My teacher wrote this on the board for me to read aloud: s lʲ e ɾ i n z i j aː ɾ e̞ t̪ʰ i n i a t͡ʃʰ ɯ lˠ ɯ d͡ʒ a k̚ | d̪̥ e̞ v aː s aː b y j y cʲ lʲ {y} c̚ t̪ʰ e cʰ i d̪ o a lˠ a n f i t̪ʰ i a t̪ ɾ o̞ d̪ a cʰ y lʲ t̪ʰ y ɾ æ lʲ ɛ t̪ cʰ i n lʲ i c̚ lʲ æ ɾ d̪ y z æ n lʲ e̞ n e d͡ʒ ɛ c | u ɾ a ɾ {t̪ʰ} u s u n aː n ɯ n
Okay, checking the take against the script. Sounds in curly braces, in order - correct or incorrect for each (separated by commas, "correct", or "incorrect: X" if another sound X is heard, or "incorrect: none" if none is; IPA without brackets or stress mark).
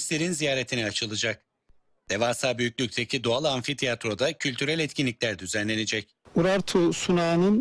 correct, correct